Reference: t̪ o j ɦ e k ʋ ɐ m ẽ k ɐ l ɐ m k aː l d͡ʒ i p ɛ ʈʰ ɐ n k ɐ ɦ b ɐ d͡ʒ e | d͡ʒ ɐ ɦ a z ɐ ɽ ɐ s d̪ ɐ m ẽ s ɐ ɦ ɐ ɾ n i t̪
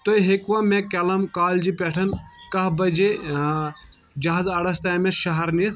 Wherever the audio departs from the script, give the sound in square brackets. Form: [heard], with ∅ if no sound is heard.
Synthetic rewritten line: t̪ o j ɦ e k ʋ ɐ m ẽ k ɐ l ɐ m k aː l d͡ʒ i p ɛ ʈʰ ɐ n k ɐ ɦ b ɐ d͡ʒ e | d͡ʒ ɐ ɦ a z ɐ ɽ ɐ s [t̪] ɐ m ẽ [ʃ] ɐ ɦ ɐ ɾ n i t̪